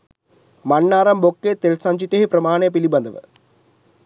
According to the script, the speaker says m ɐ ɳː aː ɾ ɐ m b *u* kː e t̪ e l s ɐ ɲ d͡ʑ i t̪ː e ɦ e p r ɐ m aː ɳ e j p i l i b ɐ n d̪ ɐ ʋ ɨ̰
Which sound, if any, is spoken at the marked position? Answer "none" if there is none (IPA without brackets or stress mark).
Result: o